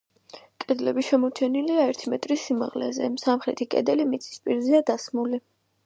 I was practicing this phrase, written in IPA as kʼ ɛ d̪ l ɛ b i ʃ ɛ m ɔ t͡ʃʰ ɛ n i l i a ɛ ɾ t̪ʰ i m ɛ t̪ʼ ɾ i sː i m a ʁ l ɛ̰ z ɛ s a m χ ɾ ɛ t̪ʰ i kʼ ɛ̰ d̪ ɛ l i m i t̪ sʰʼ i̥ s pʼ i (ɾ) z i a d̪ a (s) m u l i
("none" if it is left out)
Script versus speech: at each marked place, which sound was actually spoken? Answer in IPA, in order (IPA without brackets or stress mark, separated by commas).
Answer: ɾ, s